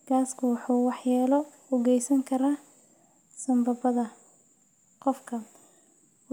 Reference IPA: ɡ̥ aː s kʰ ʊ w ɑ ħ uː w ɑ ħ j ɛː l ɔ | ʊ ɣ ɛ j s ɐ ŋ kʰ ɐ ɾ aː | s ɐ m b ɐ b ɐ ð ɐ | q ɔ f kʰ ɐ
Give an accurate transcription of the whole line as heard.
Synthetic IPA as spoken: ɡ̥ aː s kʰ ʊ w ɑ ħ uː w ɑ ħ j aː l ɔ | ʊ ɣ ɛ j s ɐ ŋ kʰ ɐ ɾ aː | s ɐ m b ɐ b ɐ ð ɐ | q ɔ f kʰ ɐ